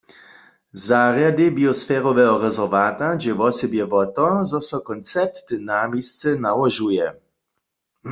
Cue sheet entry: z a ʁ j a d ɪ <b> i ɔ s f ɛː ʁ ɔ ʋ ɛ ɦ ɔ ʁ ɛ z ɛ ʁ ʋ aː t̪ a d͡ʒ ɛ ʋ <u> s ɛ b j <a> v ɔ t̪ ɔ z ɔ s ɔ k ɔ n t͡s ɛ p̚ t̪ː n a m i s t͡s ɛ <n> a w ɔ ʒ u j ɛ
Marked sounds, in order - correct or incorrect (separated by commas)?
correct, incorrect, incorrect, correct